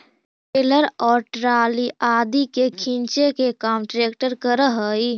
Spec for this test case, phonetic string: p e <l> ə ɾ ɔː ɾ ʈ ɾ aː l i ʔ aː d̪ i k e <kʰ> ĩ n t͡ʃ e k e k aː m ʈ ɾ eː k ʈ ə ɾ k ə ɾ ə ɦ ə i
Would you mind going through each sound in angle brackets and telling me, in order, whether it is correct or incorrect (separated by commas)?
correct, correct